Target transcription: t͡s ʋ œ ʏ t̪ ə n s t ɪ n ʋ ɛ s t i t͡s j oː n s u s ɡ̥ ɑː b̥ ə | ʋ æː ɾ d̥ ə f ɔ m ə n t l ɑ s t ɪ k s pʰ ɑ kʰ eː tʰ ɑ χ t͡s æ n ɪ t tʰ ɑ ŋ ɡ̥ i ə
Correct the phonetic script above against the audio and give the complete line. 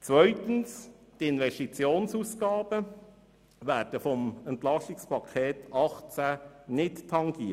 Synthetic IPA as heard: t͡s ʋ œ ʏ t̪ ə n s t ɪ n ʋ ɛ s t i t͡s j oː n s u s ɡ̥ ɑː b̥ ə | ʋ æː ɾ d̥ ə f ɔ m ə n t l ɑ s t ɪ k s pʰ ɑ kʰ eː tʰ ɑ χ t͡s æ n ɪ t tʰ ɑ ŋ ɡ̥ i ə